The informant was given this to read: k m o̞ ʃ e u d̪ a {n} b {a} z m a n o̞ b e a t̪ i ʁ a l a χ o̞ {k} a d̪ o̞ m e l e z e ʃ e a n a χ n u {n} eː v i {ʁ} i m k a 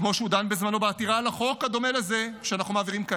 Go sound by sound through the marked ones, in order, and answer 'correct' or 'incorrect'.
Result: correct, incorrect: e, correct, incorrect: m, correct

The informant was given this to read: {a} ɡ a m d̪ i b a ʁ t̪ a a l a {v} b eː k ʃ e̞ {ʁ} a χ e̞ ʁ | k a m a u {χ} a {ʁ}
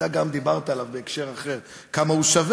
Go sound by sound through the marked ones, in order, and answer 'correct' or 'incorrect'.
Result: correct, correct, correct, incorrect: ʃ, incorrect: v

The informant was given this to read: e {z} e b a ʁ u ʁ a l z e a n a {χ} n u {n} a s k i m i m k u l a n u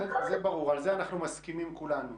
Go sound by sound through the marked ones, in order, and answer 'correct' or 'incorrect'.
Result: correct, correct, incorrect: m

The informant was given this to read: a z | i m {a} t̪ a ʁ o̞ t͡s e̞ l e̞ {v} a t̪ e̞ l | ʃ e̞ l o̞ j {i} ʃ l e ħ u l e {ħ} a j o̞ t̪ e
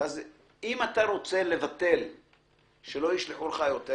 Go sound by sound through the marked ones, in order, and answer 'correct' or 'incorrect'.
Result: correct, correct, correct, incorrect: χ

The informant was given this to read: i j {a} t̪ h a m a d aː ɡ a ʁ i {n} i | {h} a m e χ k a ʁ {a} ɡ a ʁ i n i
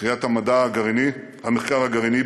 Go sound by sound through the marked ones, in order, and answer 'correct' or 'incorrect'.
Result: correct, correct, correct, correct

